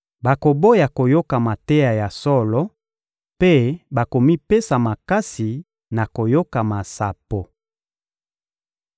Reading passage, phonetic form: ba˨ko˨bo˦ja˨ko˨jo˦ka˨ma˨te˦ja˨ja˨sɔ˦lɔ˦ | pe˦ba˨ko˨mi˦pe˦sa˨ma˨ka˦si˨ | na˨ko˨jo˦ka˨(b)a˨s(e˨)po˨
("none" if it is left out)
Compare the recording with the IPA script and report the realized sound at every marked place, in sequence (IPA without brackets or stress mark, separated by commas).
m, a˨